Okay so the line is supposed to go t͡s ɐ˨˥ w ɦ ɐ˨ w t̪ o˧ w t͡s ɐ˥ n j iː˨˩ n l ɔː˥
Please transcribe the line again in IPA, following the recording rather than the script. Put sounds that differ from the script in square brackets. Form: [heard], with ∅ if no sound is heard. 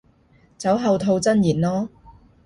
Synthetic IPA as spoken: t͡s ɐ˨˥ w ɦ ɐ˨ w [t̪ʰ] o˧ w t͡s ɐ˥ n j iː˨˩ n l ɔː˥